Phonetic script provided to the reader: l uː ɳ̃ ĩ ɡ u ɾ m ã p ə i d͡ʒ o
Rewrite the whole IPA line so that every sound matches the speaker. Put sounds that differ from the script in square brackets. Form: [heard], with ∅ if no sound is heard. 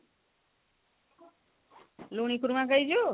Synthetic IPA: l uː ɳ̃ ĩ [k] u ɾ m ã [k] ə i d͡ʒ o